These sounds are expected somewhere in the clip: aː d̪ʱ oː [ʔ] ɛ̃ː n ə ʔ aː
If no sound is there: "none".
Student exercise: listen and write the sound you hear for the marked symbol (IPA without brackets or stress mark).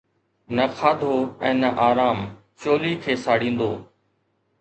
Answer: none